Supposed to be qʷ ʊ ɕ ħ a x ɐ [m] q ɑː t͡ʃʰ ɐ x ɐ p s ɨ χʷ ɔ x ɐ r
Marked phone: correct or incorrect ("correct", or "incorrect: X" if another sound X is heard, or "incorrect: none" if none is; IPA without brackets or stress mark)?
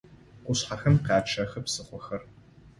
correct